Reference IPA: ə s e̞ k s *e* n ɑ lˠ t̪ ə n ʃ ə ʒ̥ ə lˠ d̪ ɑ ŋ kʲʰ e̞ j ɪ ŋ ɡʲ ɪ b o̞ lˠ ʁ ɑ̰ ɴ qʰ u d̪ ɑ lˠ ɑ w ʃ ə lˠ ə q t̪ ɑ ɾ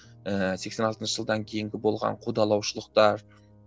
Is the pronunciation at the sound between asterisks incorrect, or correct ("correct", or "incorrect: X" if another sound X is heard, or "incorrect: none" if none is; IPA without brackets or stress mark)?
correct